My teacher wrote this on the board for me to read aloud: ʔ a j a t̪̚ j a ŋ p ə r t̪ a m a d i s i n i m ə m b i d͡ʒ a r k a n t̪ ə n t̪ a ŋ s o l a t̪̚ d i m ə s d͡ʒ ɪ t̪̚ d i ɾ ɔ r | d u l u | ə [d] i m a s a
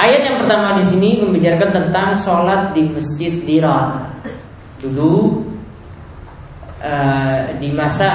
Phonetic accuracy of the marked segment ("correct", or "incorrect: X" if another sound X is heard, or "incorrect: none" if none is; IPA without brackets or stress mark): correct